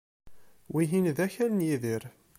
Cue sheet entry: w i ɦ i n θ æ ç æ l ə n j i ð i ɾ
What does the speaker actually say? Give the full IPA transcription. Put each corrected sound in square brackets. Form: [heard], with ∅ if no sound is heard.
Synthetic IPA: w i ɦ i n [ð] æ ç æ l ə n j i ð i ɾ

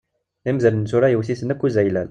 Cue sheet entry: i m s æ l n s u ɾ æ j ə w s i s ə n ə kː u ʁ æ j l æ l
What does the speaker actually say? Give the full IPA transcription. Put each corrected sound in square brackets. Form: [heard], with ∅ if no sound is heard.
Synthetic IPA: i m [z] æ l n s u ɾ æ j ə w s i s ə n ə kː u [z] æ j l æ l

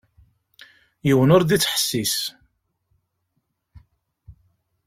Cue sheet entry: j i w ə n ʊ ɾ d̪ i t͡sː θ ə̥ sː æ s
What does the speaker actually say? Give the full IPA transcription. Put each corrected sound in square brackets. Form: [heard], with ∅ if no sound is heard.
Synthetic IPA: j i w ə n ʊ ɾ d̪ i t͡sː [ħ] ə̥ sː [i] s

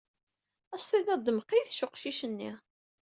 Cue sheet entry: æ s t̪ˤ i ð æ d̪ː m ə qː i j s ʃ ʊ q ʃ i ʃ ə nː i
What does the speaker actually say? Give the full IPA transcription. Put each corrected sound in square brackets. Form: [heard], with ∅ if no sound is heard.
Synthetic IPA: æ s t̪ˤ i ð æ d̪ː m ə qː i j [θ] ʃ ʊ q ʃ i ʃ ə nː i

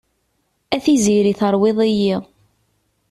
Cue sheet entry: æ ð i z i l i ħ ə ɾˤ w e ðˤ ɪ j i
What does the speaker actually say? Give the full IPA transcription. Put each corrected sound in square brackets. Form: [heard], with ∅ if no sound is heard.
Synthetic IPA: æ [θ] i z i [ɾ] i [θ] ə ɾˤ w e ðˤ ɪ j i

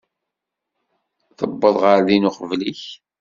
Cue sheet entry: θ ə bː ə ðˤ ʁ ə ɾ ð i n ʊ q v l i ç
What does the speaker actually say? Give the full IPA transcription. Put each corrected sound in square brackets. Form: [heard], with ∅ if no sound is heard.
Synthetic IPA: θ ə bː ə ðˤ ʁ ə ɾ ð i n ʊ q v l i ç

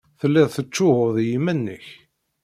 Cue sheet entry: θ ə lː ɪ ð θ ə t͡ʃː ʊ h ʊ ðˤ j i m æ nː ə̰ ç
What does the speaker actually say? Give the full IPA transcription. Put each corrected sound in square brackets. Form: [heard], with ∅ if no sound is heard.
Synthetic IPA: θ ə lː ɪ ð θ ə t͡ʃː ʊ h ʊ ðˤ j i m æ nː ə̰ ç

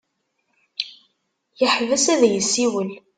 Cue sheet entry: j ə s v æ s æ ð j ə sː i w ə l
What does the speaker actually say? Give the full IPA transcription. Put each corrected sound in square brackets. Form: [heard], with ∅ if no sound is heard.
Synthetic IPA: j ə [ħ] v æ s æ ð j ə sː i w ə l

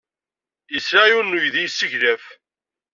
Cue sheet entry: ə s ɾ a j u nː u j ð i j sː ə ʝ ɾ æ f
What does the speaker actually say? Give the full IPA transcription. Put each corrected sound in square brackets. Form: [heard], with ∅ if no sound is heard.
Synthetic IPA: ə s ɾ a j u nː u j ð i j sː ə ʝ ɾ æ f

